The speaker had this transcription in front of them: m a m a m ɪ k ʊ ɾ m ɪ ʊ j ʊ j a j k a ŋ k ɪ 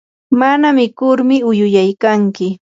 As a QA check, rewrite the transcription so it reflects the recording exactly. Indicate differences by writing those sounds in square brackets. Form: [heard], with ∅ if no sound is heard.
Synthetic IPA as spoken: m a [n] a m ɪ k ʊ ɾ m ɪ ʊ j ʊ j a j k a ŋ k ɪ